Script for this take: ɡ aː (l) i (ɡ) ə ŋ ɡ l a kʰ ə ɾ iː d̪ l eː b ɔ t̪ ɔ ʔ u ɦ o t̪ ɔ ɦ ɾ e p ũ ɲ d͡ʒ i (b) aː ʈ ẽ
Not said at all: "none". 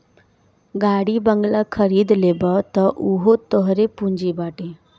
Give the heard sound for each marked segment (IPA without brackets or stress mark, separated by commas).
ɽ, b, b